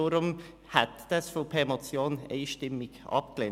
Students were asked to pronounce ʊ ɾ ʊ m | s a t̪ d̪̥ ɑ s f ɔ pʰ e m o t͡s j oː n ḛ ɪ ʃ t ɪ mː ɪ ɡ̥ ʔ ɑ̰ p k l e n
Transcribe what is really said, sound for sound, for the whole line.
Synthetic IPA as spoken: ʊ ɾ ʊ m | h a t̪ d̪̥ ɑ s f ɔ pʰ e m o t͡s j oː n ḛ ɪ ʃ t ɪ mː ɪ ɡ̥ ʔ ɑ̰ p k l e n